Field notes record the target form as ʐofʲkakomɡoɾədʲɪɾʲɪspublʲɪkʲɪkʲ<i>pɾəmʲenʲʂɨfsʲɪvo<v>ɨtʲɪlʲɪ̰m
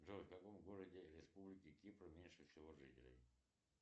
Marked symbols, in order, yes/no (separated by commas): yes, no